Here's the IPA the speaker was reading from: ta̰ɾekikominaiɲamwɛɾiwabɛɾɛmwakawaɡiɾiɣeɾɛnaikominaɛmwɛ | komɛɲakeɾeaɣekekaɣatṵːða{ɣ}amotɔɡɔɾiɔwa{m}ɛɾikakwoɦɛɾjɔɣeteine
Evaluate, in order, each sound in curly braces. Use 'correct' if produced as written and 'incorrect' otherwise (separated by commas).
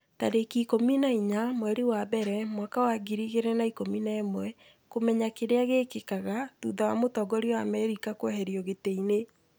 incorrect, correct